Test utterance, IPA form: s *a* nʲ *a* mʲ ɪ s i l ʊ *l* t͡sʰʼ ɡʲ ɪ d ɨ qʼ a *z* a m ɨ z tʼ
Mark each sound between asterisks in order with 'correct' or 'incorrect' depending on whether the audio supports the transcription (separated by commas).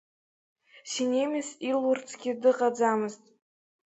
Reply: incorrect, incorrect, incorrect, incorrect